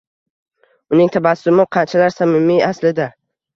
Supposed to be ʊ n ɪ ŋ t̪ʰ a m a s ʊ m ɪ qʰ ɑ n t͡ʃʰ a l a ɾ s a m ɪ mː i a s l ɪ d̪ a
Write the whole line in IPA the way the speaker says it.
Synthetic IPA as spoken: ʊ n ɪ ŋ t̪ʰ a b a s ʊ m ɪ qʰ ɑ n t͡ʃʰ a l a ɾ s a m ɪ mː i a s l ɪ d̪ a